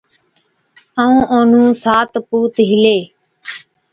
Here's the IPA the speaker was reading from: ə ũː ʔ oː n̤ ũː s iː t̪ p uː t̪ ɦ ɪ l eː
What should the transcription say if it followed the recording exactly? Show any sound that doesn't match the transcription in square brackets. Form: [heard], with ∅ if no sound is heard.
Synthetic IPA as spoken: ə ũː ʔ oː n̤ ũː s [aː] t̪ p uː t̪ ɦ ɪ l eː